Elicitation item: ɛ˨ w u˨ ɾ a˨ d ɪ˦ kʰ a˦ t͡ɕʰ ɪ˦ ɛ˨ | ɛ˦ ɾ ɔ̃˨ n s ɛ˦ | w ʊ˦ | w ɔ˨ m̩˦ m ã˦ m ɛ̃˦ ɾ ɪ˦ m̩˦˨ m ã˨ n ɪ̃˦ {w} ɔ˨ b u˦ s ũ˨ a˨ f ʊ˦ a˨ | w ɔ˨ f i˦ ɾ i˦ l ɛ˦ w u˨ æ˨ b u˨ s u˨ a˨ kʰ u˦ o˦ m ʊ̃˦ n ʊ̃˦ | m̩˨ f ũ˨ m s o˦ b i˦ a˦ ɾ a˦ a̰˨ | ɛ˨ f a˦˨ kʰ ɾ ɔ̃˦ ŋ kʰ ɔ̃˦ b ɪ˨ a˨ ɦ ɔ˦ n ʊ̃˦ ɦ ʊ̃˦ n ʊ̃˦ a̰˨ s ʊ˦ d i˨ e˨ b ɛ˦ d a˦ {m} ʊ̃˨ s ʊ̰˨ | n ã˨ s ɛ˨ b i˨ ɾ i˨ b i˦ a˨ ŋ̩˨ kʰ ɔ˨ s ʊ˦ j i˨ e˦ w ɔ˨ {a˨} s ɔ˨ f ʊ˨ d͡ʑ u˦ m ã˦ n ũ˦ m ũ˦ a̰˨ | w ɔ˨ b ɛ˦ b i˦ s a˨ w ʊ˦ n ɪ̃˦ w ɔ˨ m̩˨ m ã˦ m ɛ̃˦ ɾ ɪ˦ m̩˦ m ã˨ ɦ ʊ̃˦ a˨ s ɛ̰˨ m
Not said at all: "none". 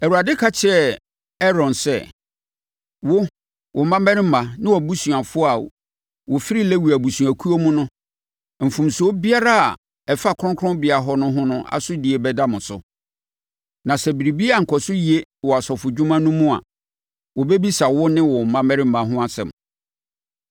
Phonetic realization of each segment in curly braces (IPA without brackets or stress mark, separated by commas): w, m, a˨